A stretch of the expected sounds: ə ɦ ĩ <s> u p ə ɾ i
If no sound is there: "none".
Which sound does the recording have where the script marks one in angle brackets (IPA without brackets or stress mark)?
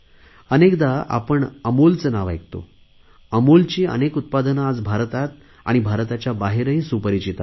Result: s